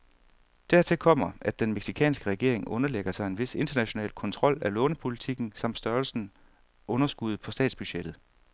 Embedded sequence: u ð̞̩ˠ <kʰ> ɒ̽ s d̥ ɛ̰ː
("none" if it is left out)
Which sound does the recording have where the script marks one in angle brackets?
pʰ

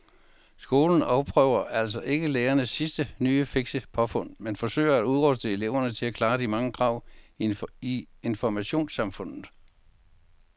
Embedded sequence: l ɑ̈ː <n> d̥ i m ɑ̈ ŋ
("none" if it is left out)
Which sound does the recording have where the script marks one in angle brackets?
none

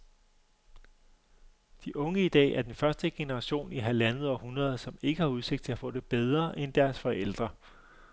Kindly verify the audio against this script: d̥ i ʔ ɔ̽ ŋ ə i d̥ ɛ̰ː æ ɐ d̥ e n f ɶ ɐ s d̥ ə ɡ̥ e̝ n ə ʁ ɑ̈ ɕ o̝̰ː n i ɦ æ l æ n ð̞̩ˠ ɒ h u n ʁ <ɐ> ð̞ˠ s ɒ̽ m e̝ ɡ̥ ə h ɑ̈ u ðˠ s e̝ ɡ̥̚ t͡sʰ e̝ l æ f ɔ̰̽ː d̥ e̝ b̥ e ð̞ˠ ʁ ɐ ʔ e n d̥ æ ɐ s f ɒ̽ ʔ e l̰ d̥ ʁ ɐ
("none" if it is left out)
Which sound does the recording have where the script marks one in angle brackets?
ɐ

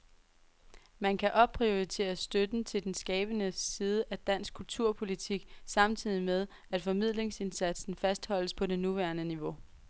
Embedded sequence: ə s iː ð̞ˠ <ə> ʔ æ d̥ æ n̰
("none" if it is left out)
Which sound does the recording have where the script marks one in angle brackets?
ə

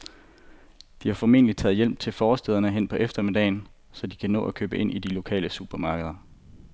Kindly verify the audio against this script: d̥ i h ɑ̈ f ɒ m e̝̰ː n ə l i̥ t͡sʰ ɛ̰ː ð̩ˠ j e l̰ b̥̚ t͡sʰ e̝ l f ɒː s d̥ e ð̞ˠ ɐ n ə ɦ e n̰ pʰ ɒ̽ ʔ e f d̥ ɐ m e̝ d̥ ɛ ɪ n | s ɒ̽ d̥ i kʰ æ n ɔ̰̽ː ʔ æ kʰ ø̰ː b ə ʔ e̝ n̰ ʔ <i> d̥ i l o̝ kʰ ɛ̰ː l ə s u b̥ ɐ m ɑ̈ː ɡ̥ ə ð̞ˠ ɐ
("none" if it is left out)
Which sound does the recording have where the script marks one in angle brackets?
i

